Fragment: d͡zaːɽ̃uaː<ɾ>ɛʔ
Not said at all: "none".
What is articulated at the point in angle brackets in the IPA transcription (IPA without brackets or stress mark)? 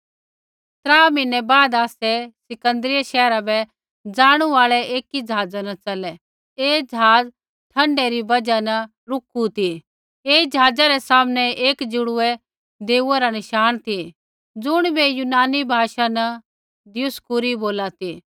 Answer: ɭ